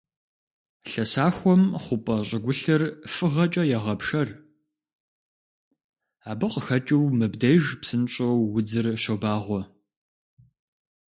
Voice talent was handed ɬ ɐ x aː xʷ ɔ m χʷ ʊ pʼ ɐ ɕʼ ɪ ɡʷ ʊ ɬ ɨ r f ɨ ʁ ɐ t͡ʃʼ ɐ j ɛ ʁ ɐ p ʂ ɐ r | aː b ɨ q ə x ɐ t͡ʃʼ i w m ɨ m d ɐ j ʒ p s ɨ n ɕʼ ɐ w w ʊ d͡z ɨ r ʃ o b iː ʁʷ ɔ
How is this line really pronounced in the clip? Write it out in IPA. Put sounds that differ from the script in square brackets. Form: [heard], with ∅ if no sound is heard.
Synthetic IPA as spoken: ɬ ɐ [s] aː xʷ ɔ m χʷ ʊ pʼ ɐ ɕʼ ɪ ɡʷ ʊ ɬ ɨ r f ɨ ʁ ɐ t͡ʃʼ ɐ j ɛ ʁ ɐ p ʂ ɐ r | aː b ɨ q ə x ɐ t͡ʃʼ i w m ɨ [b] d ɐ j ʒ p s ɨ n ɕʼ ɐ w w ʊ d͡z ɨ r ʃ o b [aː] ʁʷ ɔ